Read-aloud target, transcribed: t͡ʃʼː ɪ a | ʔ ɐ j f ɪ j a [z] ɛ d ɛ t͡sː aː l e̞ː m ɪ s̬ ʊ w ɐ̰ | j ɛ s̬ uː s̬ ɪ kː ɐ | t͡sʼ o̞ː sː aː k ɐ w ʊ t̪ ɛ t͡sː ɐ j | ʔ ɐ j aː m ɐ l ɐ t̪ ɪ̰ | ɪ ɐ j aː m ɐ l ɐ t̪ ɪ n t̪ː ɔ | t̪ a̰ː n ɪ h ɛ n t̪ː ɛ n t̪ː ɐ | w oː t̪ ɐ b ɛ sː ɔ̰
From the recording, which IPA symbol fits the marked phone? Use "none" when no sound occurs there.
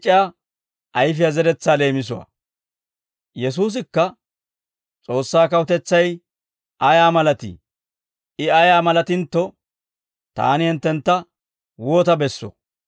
z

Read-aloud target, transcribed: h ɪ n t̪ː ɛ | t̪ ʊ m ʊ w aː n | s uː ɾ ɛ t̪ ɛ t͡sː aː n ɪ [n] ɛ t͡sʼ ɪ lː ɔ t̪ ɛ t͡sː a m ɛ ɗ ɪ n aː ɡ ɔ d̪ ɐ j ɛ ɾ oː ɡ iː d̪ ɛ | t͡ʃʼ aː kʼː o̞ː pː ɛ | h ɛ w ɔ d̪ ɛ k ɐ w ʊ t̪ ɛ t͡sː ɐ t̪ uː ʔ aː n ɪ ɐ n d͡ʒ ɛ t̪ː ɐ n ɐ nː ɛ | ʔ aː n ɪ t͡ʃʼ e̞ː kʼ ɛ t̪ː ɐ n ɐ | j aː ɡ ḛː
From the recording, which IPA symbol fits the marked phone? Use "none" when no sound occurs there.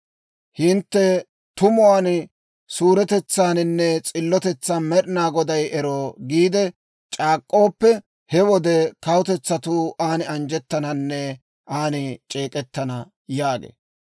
nː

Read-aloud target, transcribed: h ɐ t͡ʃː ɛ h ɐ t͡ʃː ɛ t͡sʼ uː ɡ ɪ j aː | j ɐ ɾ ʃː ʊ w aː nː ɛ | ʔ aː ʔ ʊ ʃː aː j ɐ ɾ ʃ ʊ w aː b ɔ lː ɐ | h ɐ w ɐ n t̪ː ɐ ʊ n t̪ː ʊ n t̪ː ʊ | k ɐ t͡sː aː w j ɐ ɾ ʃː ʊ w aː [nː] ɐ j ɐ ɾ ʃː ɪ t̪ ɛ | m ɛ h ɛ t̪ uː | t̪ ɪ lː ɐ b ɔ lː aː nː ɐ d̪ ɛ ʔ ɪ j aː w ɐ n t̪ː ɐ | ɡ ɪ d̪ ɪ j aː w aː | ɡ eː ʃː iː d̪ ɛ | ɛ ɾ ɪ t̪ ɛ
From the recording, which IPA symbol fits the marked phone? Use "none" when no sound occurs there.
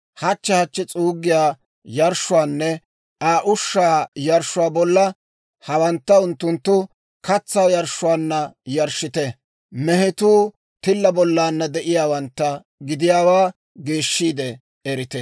nː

